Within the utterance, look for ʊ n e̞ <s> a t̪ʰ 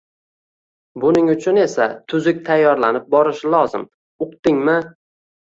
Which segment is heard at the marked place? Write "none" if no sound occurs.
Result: s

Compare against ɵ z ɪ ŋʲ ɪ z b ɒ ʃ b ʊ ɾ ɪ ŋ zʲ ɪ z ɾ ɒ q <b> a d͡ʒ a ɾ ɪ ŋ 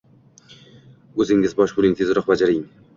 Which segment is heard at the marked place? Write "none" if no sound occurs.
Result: b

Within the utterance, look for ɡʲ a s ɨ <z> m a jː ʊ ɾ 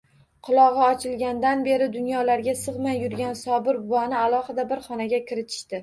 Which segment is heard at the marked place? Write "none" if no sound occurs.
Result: ʁ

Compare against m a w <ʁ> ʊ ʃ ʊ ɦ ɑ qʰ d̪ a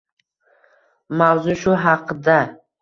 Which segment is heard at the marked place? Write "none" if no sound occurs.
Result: z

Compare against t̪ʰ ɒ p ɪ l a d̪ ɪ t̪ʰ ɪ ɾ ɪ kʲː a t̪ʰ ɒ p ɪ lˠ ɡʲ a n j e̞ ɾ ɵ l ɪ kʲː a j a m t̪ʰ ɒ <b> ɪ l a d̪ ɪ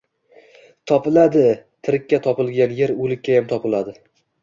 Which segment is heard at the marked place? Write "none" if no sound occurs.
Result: p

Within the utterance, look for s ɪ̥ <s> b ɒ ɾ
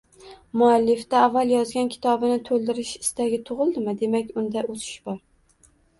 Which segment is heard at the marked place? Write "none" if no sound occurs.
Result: ʃ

